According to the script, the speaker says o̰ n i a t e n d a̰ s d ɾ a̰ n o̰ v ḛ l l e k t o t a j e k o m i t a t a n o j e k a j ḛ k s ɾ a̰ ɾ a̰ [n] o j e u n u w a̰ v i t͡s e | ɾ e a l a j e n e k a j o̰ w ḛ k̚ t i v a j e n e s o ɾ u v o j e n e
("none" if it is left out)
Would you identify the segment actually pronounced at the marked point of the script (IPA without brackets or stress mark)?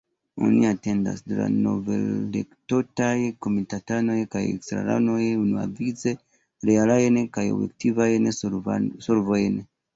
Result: n